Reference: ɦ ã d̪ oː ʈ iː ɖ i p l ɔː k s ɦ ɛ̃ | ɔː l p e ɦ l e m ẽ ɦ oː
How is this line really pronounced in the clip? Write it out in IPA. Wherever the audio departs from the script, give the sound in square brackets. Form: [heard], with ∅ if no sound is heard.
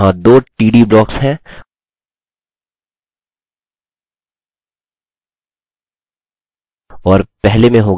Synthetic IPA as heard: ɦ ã d̪ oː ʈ iː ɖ i [b] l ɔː k s ɦ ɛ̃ | ɔː [ɾ] p [ɛ] ɦ l e m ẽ ɦ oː